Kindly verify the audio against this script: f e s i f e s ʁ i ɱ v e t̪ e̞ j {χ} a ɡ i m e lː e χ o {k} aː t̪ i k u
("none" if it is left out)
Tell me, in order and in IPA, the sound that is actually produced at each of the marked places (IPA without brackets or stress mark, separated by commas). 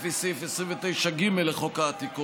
ʃ, k